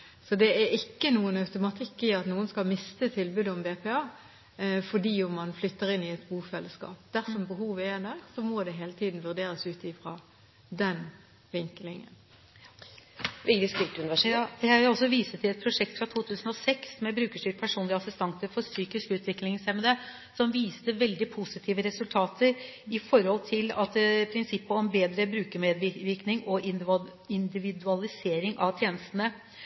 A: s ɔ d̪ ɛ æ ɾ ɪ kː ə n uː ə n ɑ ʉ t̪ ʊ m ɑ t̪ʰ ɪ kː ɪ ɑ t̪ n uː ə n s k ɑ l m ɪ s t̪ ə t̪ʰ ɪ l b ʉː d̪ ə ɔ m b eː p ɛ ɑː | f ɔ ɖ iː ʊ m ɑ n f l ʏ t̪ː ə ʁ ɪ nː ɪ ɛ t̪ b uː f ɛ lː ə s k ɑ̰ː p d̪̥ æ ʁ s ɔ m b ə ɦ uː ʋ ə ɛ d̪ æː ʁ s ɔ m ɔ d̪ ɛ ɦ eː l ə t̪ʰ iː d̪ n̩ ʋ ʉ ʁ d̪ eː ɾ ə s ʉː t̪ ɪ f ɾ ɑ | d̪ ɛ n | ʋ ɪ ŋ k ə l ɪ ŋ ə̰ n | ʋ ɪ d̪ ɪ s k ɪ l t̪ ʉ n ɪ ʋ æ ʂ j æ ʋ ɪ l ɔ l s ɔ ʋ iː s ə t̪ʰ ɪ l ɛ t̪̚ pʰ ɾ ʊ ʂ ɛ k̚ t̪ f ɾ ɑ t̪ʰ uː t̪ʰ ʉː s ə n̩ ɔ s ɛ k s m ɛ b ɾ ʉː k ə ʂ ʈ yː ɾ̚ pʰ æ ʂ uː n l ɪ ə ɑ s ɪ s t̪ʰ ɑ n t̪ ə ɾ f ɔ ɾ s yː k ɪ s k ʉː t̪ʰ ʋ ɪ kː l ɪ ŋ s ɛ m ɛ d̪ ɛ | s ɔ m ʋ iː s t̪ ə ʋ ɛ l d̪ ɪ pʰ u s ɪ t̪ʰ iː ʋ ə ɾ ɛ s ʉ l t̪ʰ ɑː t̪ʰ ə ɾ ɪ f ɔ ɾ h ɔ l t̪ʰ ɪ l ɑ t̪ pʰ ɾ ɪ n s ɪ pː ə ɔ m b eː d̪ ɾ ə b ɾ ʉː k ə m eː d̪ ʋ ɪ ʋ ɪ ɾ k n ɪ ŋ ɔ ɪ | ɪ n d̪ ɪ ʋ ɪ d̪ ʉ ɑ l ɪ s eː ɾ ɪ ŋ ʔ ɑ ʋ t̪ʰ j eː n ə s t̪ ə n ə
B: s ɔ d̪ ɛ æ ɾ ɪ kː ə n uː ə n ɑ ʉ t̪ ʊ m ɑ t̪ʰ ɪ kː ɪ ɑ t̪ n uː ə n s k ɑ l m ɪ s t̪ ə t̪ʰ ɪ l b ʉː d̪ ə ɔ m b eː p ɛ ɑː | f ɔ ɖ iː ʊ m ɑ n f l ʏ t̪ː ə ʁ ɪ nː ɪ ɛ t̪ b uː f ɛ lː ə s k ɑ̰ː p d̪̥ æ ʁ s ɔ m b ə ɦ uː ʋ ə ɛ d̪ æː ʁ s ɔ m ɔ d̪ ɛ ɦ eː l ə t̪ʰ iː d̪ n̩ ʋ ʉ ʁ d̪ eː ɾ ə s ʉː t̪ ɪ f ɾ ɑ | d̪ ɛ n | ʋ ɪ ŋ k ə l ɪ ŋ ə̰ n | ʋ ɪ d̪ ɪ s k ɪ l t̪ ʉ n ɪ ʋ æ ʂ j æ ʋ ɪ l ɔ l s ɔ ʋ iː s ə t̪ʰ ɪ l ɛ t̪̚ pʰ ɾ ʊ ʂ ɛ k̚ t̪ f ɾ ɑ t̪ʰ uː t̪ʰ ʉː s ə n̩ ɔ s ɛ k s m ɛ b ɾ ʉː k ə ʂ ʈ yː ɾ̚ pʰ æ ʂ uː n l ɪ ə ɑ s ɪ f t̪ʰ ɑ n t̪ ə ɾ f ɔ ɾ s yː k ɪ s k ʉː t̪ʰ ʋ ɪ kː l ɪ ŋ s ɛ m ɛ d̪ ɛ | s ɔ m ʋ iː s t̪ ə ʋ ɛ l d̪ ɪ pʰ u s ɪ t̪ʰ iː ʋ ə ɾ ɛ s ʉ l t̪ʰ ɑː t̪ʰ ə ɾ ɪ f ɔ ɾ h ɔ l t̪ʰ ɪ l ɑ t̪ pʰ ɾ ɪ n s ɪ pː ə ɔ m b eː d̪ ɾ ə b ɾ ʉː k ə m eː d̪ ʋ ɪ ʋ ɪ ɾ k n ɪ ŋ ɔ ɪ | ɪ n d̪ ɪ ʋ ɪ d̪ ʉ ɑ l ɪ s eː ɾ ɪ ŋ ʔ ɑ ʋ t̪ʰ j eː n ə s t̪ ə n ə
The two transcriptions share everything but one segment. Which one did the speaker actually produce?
A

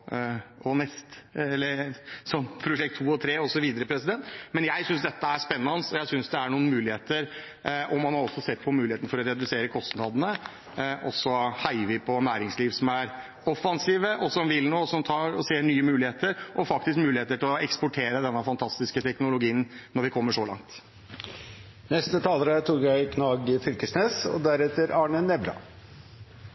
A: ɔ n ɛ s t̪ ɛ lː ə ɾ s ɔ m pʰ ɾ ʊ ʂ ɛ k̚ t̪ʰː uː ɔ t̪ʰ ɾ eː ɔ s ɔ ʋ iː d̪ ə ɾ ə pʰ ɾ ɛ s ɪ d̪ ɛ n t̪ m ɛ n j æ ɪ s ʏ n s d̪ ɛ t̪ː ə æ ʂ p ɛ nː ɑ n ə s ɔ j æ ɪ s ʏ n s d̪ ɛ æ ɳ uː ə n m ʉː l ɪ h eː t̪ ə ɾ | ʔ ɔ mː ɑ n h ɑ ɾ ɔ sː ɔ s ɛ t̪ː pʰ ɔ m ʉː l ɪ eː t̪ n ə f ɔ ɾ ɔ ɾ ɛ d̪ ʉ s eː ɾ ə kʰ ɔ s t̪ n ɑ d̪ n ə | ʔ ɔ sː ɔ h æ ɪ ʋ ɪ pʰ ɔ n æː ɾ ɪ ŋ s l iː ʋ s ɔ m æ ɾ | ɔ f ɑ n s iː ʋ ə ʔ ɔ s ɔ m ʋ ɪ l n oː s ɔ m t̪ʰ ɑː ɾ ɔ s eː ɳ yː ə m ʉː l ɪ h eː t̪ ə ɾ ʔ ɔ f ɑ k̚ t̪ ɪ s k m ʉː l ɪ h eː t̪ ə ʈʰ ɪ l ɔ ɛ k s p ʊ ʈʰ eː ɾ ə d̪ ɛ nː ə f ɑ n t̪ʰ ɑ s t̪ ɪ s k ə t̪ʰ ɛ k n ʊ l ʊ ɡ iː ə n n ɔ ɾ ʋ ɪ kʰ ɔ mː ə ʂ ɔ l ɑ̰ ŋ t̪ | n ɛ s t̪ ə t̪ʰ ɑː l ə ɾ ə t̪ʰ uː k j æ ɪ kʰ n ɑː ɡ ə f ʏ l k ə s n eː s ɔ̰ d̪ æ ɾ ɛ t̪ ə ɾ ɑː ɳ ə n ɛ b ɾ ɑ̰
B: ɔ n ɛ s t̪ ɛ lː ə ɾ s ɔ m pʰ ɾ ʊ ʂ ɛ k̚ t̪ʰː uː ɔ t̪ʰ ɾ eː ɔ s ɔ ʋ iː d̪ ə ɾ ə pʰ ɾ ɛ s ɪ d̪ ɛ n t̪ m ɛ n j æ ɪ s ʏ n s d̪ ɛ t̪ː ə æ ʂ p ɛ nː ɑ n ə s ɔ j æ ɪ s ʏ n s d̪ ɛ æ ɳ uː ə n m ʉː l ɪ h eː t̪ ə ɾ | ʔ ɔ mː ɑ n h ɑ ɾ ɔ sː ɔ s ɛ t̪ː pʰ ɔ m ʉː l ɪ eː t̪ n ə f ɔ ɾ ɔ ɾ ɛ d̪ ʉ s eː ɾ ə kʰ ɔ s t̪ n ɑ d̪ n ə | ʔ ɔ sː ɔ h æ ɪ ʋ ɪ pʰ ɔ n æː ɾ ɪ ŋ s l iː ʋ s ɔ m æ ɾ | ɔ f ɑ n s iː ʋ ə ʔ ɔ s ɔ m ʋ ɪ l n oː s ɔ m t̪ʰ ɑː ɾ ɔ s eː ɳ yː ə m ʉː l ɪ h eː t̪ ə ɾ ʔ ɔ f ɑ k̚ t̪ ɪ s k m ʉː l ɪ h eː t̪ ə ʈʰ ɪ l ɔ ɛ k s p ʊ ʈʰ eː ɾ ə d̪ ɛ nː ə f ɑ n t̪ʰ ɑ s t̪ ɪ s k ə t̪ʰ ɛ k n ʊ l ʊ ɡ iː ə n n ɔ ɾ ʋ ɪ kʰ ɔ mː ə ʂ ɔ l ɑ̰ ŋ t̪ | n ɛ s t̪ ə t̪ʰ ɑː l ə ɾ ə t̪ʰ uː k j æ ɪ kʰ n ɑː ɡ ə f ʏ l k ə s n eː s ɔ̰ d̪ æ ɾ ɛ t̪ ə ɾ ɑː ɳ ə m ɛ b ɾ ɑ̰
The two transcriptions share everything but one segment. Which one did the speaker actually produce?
A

